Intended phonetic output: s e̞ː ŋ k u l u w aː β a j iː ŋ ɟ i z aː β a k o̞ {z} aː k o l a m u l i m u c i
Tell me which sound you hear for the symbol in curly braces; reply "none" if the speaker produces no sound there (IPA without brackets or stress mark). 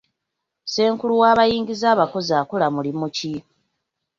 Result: z